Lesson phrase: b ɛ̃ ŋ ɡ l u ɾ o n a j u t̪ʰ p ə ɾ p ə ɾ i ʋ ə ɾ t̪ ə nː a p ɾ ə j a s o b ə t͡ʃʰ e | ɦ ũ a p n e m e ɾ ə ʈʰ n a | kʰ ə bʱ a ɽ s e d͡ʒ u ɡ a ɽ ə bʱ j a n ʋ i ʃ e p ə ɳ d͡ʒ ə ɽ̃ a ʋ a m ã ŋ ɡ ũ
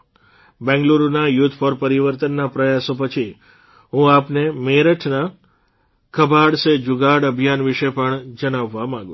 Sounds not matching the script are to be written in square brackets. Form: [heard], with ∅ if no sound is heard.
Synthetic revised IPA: b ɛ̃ ŋ ɡ l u ɾ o n a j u t̪ʰ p ə ɾ p ə ɾ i ʋ ə ɾ t̪ ə nː a p ɾ ə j a s o [p] ə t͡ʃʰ [i] | ɦ ũ a p n e m e ɾ ə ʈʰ n a | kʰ ə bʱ a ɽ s e d͡ʒ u ɡ a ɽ ə bʱ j a n ʋ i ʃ e p ə ɳ d͡ʒ ə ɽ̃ a [ʋː] a m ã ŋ ɡ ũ